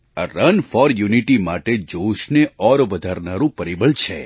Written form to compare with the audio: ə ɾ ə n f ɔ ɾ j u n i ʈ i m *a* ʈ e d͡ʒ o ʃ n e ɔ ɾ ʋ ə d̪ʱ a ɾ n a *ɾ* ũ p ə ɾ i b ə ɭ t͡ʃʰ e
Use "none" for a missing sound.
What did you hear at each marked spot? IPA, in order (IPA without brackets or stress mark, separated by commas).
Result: a, ɾ